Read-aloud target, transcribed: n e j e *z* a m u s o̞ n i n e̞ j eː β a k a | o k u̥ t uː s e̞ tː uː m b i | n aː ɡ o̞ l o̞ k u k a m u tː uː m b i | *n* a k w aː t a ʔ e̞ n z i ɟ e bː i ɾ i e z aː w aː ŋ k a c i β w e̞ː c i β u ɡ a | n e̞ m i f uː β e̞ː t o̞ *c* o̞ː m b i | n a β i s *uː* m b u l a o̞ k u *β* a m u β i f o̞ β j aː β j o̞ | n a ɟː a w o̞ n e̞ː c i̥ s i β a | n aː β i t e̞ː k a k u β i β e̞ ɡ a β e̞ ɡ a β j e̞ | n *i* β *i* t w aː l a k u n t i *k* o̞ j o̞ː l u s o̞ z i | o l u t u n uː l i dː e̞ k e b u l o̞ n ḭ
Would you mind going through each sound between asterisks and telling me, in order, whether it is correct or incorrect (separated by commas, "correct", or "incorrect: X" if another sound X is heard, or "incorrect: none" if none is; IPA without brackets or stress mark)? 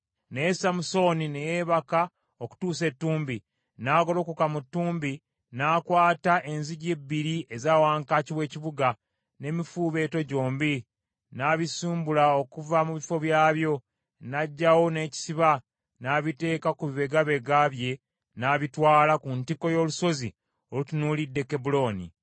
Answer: incorrect: s, correct, incorrect: ɟ, correct, incorrect: v, incorrect: a, correct, correct